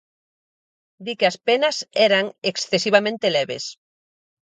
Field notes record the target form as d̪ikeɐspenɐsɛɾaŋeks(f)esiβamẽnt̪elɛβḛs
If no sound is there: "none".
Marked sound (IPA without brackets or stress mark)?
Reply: θ